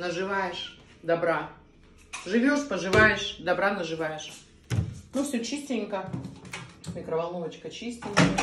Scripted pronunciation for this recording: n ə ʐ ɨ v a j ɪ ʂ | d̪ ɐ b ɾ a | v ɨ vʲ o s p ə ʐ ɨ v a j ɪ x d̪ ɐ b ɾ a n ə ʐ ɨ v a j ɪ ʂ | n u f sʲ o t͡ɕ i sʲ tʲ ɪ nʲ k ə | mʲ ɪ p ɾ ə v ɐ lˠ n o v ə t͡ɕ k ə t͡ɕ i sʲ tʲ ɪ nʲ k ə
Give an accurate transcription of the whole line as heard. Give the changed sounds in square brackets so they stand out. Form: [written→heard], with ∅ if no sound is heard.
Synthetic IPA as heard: n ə ʐ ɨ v a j ɪ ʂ | d̪ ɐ b ɾ a | [v→ʐ] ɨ vʲ o [s→ʂ] p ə ʐ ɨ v a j ɪ [x→ʂ] d̪ ɐ b ɾ a n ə ʐ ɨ v a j ɪ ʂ | n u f sʲ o t͡ɕ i sʲ tʲ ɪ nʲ k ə | mʲ ɪ [p→k] ɾ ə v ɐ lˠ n o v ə t͡ɕ k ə t͡ɕ i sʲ tʲ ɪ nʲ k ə